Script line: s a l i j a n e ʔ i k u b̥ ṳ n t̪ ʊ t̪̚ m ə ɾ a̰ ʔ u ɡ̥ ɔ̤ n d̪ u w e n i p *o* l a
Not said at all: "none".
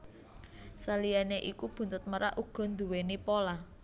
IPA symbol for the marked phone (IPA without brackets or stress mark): o